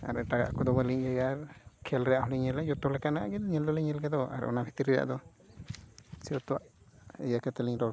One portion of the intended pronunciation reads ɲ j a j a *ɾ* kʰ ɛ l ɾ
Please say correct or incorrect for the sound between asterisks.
correct